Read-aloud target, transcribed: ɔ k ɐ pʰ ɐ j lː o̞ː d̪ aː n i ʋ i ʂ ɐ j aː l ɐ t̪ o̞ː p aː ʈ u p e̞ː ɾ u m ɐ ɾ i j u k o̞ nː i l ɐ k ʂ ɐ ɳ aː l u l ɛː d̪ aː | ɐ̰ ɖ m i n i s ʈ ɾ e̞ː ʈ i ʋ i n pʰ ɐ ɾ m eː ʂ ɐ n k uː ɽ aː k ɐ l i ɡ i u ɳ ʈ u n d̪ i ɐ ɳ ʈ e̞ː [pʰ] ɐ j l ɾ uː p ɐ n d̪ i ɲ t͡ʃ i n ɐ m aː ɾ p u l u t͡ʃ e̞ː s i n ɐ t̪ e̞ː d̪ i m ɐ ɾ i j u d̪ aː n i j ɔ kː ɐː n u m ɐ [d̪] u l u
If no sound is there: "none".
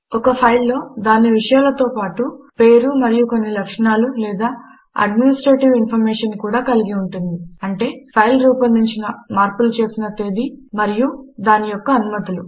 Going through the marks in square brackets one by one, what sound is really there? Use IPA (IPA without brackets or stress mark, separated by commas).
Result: pʰ, t̪